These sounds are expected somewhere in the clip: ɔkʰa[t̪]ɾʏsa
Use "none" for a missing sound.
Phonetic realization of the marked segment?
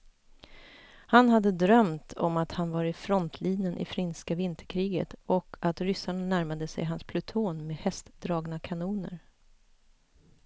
t̪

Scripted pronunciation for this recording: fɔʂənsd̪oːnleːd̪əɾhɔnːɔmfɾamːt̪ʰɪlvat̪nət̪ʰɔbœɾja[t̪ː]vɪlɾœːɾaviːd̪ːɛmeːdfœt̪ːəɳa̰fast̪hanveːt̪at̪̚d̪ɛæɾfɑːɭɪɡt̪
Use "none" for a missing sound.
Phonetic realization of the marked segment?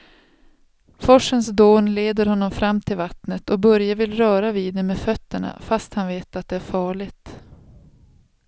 none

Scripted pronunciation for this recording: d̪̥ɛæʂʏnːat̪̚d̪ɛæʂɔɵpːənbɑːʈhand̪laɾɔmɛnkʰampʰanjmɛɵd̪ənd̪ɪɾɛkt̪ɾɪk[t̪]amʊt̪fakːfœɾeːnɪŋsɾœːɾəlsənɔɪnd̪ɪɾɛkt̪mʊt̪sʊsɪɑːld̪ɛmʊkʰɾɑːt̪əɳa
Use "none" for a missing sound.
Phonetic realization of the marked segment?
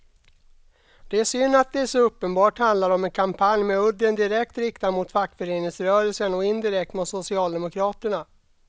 t̪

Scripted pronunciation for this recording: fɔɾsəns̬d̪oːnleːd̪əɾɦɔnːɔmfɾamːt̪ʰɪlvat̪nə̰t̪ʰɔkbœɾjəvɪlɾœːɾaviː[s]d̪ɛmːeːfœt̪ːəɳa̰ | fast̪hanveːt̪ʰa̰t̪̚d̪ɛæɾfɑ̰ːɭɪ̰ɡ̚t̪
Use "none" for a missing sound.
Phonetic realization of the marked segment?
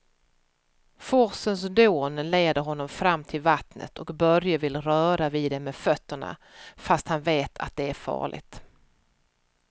none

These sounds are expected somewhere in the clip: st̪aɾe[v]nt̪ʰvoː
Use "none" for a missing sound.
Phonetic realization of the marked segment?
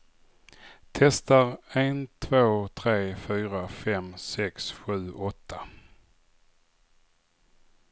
none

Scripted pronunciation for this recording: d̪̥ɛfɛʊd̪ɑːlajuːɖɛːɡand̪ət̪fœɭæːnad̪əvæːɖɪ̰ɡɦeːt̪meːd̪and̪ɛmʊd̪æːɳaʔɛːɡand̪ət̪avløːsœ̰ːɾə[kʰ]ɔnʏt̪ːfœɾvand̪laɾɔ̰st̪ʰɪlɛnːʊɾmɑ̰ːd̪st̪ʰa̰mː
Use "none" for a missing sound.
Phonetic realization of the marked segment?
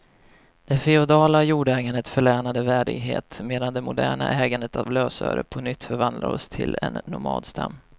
pʰ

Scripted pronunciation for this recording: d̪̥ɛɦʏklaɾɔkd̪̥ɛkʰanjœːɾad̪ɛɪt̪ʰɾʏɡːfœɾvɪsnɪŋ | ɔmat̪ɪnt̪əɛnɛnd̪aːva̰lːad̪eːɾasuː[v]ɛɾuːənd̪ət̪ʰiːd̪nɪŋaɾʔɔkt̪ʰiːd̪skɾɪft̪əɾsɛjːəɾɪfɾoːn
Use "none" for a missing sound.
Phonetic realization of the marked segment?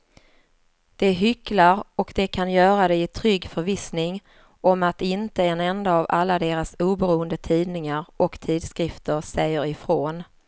b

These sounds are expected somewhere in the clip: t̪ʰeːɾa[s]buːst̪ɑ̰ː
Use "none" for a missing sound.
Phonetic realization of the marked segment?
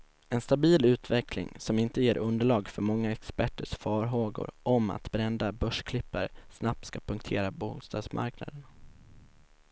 none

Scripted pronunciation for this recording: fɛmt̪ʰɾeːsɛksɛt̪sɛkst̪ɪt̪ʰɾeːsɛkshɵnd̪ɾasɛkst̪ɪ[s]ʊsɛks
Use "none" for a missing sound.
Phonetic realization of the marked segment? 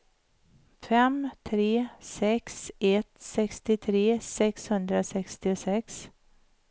none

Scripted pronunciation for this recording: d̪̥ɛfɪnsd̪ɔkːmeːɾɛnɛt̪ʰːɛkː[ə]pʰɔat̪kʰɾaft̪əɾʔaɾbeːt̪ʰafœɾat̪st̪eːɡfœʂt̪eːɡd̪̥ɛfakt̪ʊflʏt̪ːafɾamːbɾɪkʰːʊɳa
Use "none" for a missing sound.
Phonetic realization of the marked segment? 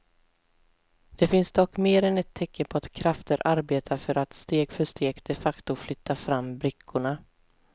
ə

